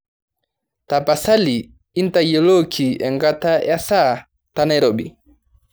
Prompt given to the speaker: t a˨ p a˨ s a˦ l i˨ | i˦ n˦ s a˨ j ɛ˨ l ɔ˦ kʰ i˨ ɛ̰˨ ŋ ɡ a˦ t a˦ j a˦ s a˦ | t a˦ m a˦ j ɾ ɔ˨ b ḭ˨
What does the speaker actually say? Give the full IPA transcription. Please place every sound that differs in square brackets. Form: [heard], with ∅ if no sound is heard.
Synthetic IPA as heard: t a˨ p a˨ s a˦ l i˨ | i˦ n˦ [t] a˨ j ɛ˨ l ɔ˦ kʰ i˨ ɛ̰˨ ŋ ɡ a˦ t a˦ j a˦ s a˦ | t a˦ [n] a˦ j ɾ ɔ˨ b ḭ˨

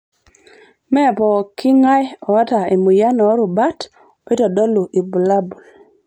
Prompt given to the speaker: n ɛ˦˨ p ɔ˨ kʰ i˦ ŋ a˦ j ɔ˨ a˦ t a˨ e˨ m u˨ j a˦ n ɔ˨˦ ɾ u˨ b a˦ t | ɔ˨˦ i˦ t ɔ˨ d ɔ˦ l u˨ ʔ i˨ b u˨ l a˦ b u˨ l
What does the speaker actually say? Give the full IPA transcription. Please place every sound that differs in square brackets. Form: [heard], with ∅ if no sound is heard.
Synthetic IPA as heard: [m] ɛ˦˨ p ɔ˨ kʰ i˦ ŋ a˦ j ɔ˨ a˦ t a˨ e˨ m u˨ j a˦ n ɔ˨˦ ɾ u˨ b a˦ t | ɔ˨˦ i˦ t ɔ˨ d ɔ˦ l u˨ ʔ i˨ b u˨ l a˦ b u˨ l

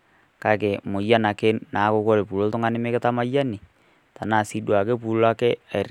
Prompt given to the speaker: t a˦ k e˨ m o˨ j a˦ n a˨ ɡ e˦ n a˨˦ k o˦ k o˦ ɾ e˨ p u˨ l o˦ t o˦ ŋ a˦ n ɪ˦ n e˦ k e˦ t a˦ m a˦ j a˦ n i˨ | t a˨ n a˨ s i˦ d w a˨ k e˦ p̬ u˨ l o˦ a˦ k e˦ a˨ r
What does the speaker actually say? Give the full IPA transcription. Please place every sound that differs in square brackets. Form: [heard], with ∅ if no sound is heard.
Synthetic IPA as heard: [k] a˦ k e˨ m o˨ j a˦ n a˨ [k] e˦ n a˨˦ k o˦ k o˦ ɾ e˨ p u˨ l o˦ t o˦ ŋ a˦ n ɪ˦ [m] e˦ k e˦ t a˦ m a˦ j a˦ n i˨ | t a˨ n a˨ s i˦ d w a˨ k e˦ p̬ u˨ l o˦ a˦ k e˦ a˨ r

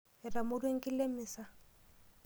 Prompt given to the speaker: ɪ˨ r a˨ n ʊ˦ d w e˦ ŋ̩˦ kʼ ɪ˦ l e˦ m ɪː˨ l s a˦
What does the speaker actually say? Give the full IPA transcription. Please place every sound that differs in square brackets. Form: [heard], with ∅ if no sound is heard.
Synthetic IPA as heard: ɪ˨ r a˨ [m] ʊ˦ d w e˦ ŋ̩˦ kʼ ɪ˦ l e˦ m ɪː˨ [∅] s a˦

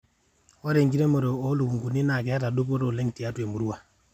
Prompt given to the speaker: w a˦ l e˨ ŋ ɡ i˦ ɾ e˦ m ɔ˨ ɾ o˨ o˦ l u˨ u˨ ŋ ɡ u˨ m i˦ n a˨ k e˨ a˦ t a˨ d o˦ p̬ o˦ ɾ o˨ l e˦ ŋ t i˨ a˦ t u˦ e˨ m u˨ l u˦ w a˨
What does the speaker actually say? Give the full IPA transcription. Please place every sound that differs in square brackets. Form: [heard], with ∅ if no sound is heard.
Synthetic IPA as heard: w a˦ [ɾ] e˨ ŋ ɡ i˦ ɾ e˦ m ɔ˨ ɾ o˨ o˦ l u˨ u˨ ŋ ɡ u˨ [n] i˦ n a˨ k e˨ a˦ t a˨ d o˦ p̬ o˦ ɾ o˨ l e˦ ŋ t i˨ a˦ t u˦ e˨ m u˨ [ɾ] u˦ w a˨

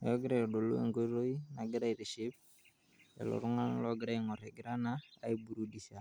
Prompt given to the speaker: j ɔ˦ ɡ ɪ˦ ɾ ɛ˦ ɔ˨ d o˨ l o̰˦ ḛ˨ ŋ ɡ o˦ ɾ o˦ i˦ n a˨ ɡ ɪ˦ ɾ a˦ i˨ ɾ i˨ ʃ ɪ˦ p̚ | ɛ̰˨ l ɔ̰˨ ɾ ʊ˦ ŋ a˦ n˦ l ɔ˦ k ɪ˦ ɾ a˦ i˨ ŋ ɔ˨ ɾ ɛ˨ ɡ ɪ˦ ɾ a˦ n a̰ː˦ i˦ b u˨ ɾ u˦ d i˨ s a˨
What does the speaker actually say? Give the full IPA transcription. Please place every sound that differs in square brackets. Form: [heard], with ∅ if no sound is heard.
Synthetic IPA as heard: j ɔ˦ ɡ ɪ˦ ɾ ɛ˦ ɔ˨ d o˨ l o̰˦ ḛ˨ ŋ ɡ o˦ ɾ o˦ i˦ n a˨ ɡ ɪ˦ ɾ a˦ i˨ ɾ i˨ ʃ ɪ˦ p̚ | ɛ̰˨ l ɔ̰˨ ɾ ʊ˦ ŋ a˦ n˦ l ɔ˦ [ɡ] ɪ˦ ɾ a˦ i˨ ŋ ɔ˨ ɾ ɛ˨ ɡ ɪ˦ ɾ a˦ n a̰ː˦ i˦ b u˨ ɾ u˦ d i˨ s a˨

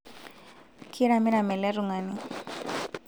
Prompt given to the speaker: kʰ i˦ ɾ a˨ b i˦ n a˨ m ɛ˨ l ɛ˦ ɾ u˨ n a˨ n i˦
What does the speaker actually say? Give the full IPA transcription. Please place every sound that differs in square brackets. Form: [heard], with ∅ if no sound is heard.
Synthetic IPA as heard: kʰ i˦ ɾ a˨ [m] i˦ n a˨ m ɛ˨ l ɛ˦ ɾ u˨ [ŋ] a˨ n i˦

